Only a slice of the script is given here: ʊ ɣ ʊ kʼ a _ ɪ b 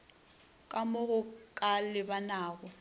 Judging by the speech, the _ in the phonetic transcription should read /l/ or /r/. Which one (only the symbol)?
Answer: l